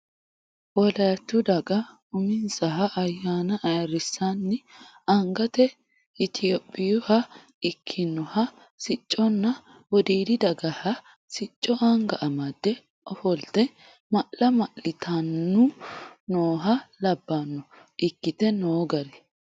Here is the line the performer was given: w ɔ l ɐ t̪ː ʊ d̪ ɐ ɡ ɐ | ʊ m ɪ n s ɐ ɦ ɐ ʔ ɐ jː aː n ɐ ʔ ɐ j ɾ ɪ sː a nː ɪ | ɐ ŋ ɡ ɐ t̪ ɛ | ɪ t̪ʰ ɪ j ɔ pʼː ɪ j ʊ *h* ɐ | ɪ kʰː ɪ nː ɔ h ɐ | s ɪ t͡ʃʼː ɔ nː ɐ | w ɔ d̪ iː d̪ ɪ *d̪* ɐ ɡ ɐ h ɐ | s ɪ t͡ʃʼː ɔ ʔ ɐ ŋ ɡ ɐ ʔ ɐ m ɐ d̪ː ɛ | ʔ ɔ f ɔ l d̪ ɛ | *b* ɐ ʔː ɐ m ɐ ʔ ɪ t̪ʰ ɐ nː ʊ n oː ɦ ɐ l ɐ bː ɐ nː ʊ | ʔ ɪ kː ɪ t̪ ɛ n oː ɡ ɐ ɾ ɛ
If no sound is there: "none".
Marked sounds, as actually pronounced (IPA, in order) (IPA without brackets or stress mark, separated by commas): h, d̪, m